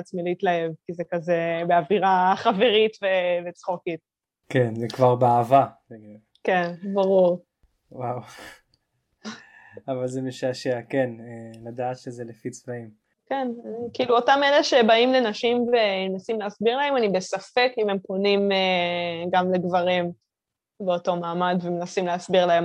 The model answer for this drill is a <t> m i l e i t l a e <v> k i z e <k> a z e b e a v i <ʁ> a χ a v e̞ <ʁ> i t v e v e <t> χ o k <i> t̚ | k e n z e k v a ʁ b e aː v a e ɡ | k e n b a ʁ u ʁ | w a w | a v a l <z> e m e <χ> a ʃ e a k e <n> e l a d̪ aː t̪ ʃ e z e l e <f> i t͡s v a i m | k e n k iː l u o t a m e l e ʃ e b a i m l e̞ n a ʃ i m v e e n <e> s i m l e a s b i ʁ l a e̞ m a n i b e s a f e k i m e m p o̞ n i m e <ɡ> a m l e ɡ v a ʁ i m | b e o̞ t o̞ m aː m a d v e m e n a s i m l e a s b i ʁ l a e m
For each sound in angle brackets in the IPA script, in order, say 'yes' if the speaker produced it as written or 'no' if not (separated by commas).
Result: no, yes, yes, yes, yes, no, yes, yes, no, yes, yes, no, yes